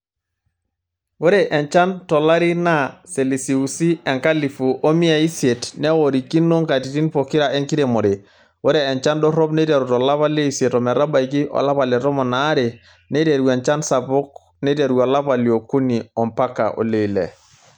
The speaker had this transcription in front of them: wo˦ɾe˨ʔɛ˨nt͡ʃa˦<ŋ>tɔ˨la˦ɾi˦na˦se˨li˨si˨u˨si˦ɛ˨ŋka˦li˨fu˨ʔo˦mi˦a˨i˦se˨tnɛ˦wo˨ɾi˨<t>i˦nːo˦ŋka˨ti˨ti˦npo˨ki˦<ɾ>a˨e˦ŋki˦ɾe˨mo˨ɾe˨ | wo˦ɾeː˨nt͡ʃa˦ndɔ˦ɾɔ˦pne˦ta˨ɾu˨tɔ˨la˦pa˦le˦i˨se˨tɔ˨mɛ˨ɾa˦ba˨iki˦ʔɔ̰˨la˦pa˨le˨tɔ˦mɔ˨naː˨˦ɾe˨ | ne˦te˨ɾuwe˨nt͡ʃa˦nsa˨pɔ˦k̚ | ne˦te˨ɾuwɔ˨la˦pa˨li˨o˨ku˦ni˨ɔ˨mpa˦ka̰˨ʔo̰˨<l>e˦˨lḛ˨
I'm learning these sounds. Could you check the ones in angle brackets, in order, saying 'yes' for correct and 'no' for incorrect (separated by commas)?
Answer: no, no, yes, yes